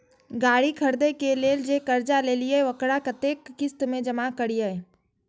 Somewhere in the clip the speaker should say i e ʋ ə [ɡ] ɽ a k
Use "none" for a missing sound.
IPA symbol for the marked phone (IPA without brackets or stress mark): k